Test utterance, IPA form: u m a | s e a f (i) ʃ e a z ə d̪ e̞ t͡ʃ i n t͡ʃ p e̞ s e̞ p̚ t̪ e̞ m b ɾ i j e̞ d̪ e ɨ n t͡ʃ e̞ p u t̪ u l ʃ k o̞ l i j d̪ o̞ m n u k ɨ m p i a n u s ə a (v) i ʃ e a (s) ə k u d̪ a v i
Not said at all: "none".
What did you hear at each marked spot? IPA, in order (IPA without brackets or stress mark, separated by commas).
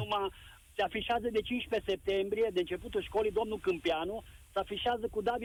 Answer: i, f, z